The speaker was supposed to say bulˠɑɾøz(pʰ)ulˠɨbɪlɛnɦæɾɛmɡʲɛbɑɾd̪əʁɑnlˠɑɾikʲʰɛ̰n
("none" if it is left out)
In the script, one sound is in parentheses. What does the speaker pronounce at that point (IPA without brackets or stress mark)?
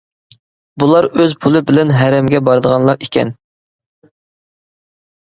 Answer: pʰ